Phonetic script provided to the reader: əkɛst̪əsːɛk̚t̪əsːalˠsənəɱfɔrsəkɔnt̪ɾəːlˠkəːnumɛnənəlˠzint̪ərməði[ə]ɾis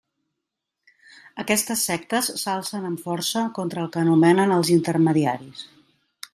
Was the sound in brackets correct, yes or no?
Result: no